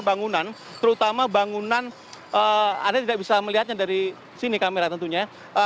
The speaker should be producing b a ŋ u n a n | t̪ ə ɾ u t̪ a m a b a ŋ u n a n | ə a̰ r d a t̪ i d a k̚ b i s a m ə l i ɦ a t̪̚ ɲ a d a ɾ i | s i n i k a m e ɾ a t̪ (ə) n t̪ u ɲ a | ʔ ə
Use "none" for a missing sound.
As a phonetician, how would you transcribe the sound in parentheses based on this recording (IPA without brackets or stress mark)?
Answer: ə